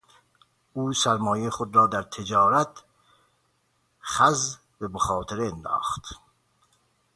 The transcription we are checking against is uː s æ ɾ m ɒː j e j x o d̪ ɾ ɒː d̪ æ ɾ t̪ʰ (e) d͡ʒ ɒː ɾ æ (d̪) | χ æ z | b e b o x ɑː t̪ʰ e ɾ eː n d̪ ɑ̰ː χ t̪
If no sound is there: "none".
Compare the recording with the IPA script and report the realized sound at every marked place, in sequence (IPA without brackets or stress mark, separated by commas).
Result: e, t̪